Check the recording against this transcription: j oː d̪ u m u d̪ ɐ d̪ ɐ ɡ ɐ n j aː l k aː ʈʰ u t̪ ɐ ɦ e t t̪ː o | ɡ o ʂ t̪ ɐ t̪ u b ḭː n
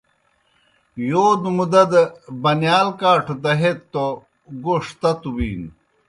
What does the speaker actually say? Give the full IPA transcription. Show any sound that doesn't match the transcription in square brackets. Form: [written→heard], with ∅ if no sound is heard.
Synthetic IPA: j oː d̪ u m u d̪ ɐ d̪ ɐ [ɡ→b] ɐ n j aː l k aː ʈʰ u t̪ ɐ ɦ e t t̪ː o | ɡ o ʂ t̪ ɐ t̪ u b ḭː n